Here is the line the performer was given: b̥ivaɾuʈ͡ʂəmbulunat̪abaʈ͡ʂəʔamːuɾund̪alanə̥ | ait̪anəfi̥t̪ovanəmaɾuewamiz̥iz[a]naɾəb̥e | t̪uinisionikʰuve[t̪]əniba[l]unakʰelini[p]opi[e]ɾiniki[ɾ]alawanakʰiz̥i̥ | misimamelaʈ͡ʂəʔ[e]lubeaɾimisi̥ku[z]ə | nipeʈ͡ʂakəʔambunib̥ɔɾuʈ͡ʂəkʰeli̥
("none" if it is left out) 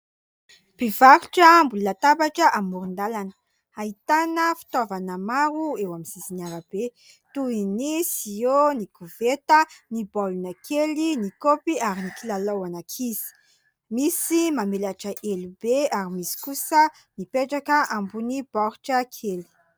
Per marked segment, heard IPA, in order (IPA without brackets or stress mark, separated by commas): i, t̪, l, k, a, l, e, s